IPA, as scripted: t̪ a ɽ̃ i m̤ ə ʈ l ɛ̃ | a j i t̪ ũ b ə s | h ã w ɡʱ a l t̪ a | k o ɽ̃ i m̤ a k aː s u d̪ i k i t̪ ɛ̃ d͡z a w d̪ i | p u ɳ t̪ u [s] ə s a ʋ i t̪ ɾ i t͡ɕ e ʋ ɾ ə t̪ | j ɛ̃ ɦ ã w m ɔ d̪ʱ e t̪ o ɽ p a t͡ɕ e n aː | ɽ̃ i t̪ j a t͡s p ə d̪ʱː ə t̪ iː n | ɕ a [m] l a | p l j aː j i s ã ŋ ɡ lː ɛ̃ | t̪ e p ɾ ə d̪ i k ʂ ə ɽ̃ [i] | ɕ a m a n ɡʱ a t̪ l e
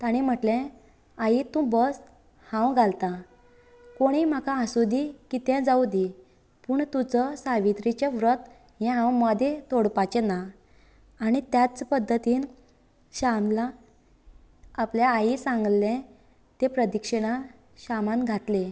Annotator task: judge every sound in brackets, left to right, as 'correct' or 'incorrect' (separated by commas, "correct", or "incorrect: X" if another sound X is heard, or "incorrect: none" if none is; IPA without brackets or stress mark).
incorrect: t͡s, correct, incorrect: a